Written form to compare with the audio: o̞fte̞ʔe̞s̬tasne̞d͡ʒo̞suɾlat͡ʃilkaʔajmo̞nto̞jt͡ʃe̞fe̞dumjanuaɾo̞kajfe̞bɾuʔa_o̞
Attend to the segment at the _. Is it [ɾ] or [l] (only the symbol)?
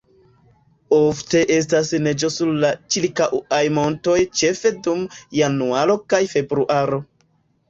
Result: ɾ